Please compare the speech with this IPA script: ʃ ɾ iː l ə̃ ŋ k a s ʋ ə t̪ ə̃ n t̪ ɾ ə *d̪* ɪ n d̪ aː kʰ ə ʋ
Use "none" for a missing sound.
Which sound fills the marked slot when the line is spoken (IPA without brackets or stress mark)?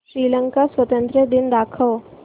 d̪